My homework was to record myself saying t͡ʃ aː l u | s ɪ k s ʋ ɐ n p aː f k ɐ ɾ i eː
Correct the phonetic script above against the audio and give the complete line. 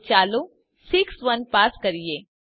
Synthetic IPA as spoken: t͡ʃ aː l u | s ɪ k s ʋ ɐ n p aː s k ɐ ɾ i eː